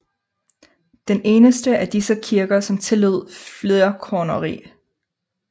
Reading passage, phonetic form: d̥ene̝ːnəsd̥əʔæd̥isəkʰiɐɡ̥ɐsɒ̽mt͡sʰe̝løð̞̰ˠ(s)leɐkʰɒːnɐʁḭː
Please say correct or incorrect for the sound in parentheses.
incorrect